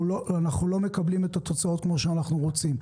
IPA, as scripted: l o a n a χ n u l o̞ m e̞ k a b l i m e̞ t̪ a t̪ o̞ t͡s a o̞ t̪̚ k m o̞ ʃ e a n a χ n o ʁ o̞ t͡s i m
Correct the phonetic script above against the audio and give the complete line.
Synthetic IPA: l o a n a χ n u l o̞ m e̞ k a b l i m e̞ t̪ a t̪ o̞ t͡s a o̞ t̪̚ k m o̞ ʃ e a n a χ n u ʁ o̞ t͡s i m